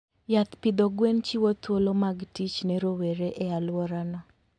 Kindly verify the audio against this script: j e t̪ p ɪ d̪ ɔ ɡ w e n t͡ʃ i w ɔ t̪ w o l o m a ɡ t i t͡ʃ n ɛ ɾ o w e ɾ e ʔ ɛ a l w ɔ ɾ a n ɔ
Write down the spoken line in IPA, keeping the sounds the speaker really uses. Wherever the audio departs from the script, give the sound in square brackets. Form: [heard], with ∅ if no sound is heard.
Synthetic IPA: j [a] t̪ p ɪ d̪ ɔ ɡ w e n t͡ʃ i w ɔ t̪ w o l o m a ɡ t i t͡ʃ n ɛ ɾ o w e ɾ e ʔ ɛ a l w ɔ ɾ a n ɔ